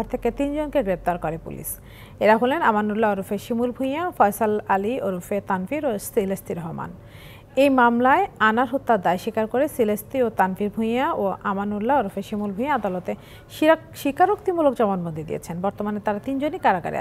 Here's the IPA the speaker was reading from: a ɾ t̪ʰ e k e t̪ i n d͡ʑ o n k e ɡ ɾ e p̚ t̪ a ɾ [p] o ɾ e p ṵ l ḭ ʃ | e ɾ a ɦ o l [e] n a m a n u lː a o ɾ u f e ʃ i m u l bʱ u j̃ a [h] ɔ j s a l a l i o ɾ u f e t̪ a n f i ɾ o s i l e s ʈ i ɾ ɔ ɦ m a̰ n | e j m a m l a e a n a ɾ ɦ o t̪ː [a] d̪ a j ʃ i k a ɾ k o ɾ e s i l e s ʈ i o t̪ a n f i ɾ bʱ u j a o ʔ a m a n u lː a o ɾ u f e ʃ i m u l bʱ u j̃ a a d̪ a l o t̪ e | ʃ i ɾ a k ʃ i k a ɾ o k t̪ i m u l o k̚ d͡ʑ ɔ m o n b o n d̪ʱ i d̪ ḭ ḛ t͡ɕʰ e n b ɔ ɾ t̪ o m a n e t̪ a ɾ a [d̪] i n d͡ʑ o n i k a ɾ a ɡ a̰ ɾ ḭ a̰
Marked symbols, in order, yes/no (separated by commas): no, yes, no, yes, no